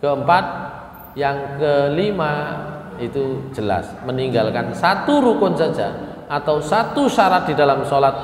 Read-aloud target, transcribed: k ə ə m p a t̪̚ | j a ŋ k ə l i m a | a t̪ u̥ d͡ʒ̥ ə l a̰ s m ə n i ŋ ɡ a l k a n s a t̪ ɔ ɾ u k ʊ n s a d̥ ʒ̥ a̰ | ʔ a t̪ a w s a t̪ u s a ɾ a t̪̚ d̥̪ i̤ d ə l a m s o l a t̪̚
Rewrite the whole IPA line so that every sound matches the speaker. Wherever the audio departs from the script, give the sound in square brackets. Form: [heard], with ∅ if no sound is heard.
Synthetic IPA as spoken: k ə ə m p a t̪̚ | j a ŋ k ə l i m a | [i] t̪ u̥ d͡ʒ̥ ə l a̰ s m ə n i ŋ ɡ a l k a n s a t̪ [u] ɾ u k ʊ n s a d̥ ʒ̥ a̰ | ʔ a t̪ a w s a t̪ u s a ɾ a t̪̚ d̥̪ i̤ d [a] l a m s o l a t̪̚